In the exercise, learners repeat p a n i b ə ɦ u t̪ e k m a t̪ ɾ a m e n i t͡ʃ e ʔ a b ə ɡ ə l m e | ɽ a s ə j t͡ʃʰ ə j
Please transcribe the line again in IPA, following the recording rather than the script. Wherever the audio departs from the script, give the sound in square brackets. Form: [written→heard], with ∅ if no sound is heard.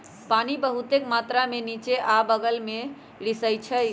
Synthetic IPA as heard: p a n i b ə ɦ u t̪ e k m a t̪ ɾ a m e n i t͡ʃ e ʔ a b ə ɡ ə l m e | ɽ [a→i] s ə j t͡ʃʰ ə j